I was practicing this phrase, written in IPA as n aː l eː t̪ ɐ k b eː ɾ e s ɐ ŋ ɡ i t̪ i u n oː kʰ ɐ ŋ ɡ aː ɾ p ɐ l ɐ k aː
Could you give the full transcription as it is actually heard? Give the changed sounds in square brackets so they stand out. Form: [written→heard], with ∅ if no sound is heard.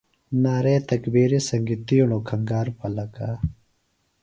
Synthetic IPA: n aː [l→ɾ] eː t̪ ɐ k b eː ɾ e s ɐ ŋ ɡ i t̪ i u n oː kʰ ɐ ŋ ɡ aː ɾ p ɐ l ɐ k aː